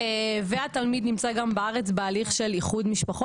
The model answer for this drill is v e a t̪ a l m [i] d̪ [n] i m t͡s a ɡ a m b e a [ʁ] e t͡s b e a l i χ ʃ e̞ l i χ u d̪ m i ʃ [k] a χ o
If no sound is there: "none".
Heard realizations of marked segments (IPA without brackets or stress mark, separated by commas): i, n, ʁ, p